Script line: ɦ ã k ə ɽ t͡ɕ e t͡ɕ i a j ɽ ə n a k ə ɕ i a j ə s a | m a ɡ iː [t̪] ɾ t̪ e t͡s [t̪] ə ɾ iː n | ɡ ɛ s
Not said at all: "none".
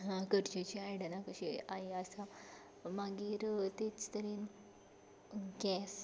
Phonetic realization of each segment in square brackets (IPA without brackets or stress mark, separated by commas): none, t̪